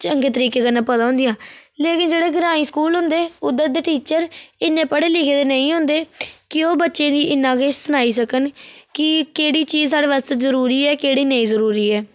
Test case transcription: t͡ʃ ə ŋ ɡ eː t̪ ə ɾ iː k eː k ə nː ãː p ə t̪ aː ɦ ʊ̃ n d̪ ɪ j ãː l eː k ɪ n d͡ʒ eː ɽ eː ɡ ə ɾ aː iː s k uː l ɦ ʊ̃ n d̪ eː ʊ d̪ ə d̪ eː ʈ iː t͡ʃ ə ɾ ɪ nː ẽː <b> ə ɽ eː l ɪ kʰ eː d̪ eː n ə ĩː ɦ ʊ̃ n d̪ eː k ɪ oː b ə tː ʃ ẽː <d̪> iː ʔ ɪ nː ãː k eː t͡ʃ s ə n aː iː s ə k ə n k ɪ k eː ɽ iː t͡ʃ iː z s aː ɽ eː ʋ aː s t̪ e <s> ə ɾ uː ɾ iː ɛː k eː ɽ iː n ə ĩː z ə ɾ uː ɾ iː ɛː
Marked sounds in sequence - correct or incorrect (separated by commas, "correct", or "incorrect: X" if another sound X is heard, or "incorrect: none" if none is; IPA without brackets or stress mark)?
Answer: incorrect: p, correct, incorrect: z